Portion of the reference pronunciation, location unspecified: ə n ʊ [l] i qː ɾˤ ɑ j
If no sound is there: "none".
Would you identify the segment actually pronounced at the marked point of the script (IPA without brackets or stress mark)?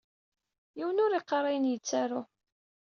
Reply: ɾ